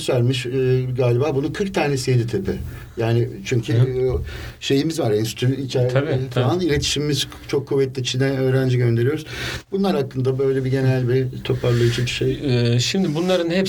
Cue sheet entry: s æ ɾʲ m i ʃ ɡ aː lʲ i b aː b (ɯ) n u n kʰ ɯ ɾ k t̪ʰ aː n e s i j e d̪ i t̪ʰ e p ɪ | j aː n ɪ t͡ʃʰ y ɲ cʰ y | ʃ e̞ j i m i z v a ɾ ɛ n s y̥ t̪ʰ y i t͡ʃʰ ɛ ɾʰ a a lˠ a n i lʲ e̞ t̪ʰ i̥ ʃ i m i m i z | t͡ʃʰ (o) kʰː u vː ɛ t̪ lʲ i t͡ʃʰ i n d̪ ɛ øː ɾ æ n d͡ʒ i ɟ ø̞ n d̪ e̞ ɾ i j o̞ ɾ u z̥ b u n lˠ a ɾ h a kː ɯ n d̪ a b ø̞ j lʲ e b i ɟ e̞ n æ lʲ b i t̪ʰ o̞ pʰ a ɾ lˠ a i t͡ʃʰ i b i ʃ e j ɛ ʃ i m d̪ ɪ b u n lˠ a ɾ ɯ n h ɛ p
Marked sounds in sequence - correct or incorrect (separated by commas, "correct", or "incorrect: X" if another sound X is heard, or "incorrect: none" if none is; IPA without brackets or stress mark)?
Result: incorrect: u, correct